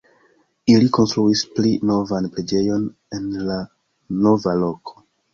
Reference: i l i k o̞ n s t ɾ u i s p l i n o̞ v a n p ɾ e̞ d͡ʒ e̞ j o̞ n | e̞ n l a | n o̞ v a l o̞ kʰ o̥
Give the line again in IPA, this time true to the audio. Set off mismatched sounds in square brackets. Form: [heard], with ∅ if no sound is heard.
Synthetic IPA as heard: i l i k o̞ n s t ɾ u i s p l i n o̞ v a n p ɾ e̞ d͡ʒ e̞ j o̞ n | e̞ n l a | n o̞ v a l o̞ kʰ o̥